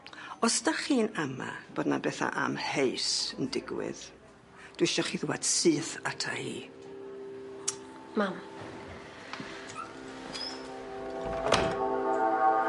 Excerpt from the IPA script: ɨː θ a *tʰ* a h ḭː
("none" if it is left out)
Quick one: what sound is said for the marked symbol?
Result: tʰ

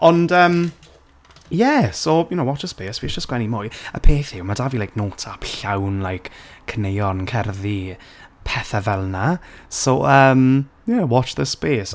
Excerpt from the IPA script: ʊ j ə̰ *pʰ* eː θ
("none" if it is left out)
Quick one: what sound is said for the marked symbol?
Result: pʰ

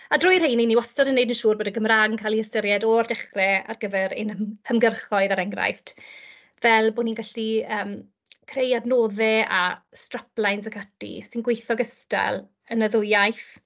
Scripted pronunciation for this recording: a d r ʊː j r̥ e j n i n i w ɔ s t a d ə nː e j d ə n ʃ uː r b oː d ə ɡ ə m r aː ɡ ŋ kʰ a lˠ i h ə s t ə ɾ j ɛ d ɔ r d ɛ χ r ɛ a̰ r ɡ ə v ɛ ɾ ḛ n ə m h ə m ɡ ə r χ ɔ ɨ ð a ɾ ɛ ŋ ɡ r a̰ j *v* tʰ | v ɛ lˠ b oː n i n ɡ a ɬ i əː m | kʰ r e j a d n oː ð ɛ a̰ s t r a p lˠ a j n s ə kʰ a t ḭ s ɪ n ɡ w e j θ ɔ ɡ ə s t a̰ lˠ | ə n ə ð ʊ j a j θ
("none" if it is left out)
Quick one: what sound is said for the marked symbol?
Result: f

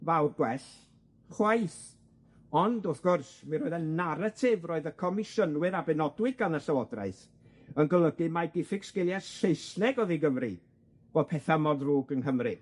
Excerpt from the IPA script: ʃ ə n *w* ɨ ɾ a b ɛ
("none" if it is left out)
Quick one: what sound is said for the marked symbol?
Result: w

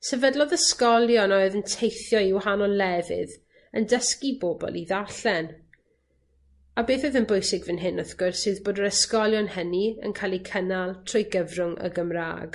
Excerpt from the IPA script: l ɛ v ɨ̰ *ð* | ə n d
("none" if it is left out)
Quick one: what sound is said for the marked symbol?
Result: ð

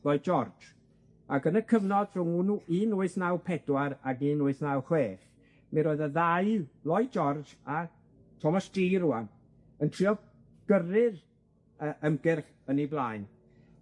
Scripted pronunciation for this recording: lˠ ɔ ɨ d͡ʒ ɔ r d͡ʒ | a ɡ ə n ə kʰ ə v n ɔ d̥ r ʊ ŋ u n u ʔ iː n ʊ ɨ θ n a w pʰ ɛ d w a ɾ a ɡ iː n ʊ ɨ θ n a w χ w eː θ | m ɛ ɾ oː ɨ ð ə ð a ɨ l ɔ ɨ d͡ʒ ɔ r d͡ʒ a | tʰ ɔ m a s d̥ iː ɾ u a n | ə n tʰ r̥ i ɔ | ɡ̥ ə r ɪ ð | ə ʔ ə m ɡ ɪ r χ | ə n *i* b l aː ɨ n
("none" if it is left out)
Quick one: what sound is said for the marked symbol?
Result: i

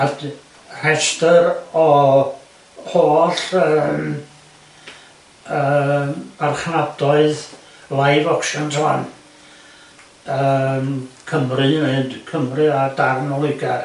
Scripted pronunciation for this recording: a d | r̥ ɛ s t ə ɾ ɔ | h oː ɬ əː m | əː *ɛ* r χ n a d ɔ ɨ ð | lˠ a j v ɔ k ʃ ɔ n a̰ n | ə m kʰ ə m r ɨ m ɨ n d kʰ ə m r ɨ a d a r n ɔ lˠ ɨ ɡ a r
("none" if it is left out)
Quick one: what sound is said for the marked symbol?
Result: a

